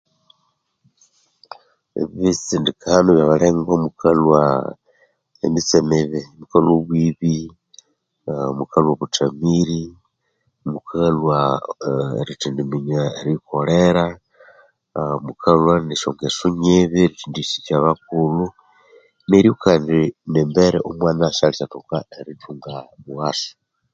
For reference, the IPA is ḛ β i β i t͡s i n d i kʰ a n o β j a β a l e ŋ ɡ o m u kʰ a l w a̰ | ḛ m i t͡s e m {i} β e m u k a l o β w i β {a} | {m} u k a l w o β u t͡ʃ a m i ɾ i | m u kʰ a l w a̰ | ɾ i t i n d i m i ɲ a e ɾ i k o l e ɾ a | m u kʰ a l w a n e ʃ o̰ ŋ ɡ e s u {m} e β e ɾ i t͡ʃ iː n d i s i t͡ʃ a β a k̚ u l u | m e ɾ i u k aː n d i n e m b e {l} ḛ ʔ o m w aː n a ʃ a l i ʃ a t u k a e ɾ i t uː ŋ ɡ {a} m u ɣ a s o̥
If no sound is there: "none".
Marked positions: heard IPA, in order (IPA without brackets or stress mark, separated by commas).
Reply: e, i, m, ɲ, ɾ, a